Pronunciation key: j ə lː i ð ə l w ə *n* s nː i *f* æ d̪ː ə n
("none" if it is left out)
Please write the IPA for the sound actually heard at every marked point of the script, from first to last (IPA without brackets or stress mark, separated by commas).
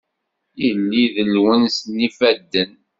n, f